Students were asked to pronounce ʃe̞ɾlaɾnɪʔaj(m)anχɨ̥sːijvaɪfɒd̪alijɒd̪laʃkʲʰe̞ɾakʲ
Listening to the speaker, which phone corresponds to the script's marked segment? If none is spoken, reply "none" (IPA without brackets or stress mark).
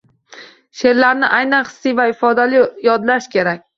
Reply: n